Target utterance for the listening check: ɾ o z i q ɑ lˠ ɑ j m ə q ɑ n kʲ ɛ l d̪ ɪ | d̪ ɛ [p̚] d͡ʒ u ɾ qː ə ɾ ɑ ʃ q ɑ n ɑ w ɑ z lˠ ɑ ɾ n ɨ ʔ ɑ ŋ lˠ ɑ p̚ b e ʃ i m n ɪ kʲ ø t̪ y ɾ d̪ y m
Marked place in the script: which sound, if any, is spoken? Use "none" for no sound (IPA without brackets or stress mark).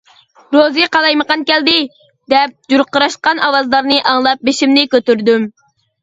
p̚